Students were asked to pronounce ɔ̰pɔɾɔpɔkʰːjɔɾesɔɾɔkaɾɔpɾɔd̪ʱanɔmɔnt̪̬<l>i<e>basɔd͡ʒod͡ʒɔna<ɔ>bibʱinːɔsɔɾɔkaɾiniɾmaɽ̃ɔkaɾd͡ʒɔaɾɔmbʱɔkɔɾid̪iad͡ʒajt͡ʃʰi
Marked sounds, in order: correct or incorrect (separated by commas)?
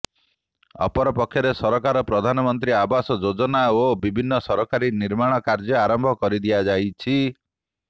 incorrect, incorrect, incorrect